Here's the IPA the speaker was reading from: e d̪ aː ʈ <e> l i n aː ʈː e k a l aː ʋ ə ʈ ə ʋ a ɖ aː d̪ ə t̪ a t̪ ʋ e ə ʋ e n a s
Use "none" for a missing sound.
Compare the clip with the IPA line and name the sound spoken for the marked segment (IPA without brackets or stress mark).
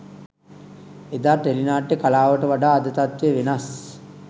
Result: e